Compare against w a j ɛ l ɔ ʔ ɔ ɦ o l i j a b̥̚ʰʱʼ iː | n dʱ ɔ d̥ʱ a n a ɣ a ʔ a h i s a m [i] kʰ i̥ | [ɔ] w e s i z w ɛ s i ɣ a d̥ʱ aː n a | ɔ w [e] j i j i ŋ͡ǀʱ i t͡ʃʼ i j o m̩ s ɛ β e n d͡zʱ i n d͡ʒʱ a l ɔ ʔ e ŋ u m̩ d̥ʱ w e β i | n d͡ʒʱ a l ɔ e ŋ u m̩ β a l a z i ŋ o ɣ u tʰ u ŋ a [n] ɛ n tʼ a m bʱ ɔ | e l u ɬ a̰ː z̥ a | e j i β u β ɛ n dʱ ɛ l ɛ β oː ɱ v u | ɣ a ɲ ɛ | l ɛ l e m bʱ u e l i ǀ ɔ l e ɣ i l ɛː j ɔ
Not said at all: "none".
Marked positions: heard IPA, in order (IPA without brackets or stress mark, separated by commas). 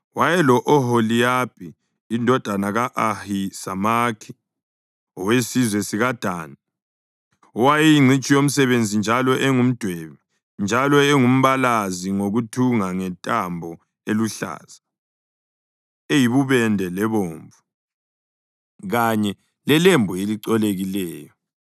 a, ɔ, a, ŋ